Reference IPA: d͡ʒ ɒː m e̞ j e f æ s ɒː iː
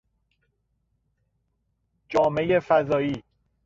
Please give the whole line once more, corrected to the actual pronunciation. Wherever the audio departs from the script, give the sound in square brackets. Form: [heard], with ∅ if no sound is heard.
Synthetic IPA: d͡ʒ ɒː m e̞ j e f æ [z] ɒː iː